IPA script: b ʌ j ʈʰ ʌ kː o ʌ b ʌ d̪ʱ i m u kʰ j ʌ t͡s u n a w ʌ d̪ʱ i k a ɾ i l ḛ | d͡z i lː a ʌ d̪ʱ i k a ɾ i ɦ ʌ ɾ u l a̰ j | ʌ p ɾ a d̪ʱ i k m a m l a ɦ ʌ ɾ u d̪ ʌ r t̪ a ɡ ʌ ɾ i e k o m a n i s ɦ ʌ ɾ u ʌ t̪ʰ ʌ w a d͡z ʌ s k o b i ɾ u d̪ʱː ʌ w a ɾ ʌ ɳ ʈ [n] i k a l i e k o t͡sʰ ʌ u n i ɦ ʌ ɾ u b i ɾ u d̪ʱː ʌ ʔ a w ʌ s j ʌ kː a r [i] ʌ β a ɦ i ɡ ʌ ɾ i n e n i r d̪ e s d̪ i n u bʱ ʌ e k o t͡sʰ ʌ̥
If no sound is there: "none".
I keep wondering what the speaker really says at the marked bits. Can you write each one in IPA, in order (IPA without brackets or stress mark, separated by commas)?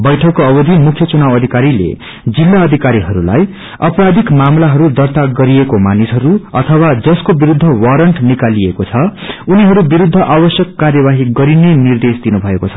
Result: n, j